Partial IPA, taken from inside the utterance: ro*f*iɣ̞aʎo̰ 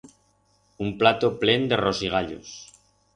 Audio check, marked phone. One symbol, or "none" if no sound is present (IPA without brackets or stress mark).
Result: s